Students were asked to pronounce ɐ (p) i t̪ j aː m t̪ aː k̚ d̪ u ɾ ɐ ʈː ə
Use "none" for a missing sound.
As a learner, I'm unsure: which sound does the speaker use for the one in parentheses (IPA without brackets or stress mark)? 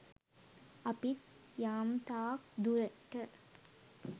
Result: p